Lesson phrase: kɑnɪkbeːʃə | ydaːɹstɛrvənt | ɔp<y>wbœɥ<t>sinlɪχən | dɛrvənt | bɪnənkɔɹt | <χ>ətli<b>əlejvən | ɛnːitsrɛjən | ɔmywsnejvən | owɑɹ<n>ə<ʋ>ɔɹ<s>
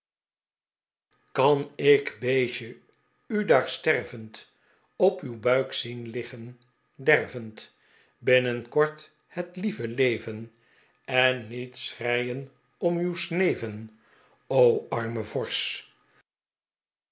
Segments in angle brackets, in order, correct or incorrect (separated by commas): correct, incorrect, incorrect, incorrect, incorrect, incorrect, correct